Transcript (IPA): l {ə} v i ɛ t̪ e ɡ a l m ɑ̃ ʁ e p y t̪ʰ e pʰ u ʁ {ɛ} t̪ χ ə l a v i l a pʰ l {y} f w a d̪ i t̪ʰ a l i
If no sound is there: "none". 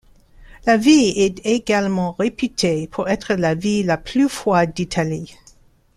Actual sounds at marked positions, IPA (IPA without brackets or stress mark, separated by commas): a, ɛ, y